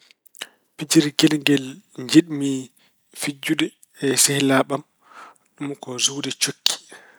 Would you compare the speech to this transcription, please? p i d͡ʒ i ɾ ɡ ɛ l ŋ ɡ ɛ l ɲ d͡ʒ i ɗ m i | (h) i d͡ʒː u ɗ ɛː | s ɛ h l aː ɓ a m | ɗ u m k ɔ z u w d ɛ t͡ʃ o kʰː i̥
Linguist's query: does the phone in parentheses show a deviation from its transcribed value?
yes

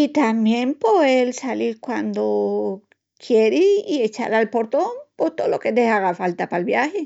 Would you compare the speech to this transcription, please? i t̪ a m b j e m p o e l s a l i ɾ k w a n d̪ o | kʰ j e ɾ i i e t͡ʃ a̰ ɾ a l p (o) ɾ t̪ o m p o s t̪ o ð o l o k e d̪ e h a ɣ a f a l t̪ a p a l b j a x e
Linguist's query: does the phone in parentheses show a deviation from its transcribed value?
no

